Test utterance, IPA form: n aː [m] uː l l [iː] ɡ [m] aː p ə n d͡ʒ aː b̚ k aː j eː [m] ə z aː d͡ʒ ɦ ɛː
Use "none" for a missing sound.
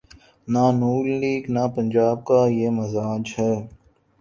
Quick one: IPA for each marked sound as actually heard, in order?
n, iː, n, m

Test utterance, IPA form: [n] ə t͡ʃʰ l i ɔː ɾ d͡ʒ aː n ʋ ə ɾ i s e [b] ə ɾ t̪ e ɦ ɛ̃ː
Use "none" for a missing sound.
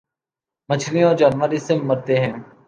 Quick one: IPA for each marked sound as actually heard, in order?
m, m

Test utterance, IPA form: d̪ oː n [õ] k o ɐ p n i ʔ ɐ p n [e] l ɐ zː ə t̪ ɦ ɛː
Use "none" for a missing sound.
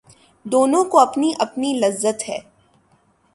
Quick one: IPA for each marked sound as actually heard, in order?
õ, i

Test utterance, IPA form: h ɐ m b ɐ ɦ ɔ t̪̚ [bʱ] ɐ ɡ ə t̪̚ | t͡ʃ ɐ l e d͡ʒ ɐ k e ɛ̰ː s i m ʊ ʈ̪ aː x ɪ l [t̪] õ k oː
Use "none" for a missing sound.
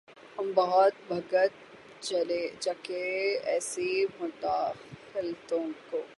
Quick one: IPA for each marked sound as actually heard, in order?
bʱ, t̪

